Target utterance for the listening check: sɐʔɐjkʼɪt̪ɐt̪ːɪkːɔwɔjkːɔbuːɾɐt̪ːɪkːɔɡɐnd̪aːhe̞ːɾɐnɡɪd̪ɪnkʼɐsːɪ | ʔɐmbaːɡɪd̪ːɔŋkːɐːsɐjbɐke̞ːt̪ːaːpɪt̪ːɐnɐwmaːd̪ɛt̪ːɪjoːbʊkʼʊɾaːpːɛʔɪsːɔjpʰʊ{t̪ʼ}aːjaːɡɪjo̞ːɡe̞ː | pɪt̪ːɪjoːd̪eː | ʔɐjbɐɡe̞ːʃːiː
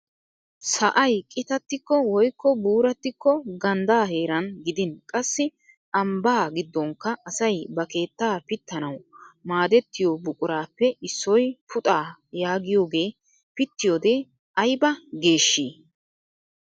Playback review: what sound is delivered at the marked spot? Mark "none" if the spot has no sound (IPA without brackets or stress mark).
t̪ʼ